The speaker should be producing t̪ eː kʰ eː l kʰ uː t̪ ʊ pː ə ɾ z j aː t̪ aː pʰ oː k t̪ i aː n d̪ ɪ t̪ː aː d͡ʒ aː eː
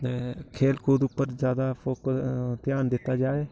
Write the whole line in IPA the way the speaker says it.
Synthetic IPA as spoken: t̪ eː kʰ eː l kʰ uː d̪ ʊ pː ə ɾ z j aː d̪ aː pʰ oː k t̪ j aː n d̪ ɪ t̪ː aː d͡ʒ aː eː

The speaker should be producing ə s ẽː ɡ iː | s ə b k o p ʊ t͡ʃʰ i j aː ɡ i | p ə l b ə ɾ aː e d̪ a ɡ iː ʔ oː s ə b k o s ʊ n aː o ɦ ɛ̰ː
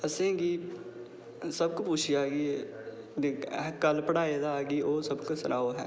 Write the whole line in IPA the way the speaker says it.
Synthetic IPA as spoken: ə s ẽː ɡ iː | s ə b k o p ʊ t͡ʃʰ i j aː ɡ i | k ə l p ə ɽ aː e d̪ a ɡ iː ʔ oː s ə b k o s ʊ n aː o ɦ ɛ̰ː

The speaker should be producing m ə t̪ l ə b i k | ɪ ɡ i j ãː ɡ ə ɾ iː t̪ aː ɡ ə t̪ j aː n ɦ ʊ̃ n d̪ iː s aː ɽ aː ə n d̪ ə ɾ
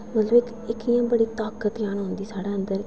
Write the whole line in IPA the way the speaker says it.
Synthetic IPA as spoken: m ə t̪ l ə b ɪ k | ɪ k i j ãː b ə ɽ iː t̪ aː k ə t̪ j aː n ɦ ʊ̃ n d̪ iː s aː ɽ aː ə n d̪ ə ɾ

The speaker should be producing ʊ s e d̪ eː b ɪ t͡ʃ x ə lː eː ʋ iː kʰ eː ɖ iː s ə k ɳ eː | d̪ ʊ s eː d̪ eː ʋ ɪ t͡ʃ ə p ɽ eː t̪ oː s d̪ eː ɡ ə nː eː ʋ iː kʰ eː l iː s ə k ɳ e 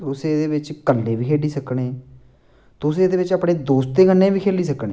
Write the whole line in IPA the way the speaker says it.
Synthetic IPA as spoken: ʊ s e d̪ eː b ɪ t͡ʃ k ə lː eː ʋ iː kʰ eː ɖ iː s ə k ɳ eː | t̪ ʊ s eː d̪ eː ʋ ɪ t͡ʃ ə p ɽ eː d̪ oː s t̪ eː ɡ ə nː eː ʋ iː kʰ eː l iː s ə k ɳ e

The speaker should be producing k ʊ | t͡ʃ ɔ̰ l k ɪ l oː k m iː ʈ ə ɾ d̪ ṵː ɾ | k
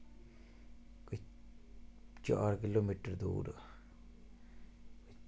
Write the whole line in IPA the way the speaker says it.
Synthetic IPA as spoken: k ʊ | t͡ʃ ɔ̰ ɾ k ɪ l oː m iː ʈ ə ɾ d̪ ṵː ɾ | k

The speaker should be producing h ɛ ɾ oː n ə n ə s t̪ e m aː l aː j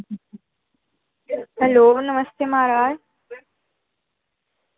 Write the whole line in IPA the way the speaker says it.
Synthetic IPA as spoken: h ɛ l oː n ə m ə s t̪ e m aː ɾ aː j

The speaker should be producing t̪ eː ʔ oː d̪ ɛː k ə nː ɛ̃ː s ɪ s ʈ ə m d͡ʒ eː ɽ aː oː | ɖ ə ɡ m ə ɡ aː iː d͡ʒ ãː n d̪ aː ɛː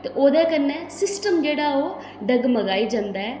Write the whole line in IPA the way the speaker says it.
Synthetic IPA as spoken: t̪ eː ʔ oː d̪ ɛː k ə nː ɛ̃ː s ɪ s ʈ ə m d͡ʒ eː ɽ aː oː | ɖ ə ɡ m ə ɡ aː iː d͡ʒ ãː n d̪ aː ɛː

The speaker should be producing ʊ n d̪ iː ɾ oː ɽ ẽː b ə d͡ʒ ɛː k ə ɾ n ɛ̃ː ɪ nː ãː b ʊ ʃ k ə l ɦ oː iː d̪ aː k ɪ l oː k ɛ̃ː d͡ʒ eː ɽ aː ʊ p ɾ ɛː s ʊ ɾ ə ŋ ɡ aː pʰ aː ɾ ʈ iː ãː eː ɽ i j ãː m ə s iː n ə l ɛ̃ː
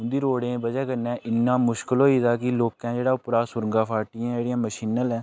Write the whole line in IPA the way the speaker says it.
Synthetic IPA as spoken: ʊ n d̪ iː ɾ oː ɽ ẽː b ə d͡ʒ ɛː k ə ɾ n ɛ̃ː ɪ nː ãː m ʊ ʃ k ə l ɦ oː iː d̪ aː k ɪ l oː k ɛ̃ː d͡ʒ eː ɽ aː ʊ p ɾ aː s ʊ ɾ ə ŋ ɡ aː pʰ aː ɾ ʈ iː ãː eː ɽ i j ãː m ə ʃ iː n ə l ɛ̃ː

